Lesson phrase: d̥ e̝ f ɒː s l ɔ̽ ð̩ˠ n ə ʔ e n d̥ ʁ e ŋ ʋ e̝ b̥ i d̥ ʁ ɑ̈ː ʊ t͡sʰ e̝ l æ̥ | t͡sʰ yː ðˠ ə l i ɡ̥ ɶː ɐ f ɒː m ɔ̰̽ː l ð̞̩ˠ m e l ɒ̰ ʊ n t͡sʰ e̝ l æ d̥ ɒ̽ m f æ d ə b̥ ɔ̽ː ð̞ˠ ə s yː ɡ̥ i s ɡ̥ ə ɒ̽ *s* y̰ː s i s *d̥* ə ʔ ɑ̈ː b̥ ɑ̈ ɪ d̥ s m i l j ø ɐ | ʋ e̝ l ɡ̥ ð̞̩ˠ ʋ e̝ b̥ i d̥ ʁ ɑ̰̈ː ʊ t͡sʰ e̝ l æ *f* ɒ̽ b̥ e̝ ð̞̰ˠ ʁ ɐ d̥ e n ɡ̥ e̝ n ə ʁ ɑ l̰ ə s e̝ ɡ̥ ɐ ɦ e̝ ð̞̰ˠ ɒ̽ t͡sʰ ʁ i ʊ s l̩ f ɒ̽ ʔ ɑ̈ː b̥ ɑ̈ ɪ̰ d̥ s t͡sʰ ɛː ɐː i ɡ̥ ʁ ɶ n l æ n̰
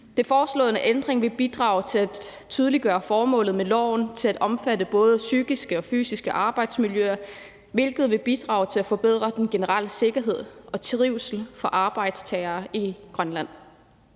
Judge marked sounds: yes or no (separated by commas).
no, no, yes